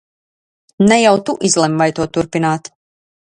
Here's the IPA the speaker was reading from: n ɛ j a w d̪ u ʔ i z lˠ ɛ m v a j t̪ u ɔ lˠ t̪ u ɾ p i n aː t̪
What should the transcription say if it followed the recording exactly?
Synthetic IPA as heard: n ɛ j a w t̪ u ʔ i z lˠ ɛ m v a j t̪ u ɔ t̪ u ɾ p i n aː t̪